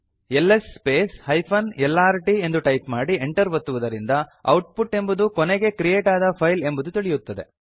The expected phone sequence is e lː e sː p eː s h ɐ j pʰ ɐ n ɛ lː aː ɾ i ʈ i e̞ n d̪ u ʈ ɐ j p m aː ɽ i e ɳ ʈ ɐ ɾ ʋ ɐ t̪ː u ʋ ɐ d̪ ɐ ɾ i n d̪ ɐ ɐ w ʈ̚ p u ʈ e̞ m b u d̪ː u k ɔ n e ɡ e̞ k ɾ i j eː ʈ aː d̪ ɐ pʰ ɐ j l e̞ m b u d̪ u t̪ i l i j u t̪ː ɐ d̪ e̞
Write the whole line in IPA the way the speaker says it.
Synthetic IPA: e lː e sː p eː s h ɐ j pʰ ɐ n ɛ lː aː ɾ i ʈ i e̞ n d̪ u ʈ ɐ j p m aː ɽ i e ɳ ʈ ɐ ɾ ʋ ɐ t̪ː u ʋ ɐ d̪ ɐ ɾ i n d̪ ɐ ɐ w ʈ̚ p u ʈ e̞ m b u d̪ u k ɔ n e ɡ e̞ k ɾ i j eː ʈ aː d̪ ɐ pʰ ɐ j l e̞ m b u d̪ u t̪ i ɭ i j u t̪ː ɐ d̪ e̞